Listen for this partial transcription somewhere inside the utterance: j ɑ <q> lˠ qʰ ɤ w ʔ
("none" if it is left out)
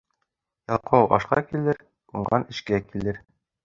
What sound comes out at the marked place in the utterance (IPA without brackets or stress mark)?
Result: none